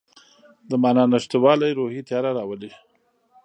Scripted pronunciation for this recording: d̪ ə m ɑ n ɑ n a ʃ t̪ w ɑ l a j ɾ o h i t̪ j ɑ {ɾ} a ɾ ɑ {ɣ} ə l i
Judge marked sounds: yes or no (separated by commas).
yes, no